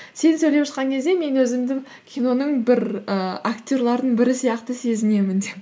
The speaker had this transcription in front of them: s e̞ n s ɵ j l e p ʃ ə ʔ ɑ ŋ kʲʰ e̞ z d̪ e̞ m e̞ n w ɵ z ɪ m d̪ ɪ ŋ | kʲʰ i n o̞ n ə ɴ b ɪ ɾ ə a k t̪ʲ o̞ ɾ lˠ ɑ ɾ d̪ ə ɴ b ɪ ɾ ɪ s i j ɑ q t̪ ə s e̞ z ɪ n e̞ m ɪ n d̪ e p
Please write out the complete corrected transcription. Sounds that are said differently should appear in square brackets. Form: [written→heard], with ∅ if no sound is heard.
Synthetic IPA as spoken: s e̞ n s ɵ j l e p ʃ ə [ʔ→q] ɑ ŋ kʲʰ e̞ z d̪ e̞ m e̞ n w ɵ z ɪ m d̪ ɪ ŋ | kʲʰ i n o̞ n ə ɴ b ɪ ɾ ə a k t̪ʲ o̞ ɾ lˠ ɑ ɾ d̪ ə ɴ b ɪ ɾ ɪ s i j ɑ q t̪ ə s e̞ z ɪ n e̞ m ɪ n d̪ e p